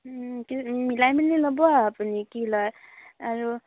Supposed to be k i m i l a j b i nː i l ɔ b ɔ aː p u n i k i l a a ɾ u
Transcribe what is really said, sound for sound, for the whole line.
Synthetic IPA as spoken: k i m i l a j m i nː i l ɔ b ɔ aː p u n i k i l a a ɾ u

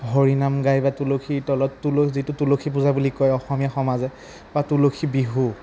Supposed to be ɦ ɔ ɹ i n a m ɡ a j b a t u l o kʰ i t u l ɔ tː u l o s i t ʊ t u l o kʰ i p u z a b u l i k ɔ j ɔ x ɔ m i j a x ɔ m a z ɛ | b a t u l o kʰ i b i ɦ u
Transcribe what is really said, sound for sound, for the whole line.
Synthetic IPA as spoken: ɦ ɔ ɹ i n a m ɡ a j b a t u l o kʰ i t ɔ l ɔ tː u l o z i t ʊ t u l o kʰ i p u z a b u l i k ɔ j ɔ x ɔ m i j a x ɔ m a z ɛ | b a t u l o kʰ i b i ɦ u

